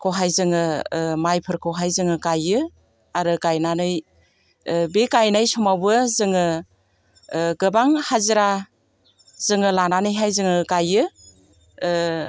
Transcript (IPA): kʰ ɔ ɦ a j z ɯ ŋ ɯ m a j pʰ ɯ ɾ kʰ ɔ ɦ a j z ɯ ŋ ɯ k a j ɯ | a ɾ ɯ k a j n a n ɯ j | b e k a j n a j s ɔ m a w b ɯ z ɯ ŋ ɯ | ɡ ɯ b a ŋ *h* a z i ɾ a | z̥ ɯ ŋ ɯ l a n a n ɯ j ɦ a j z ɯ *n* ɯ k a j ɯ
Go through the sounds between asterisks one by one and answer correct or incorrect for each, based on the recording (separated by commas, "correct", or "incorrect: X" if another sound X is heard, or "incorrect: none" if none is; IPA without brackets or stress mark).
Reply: correct, incorrect: ŋ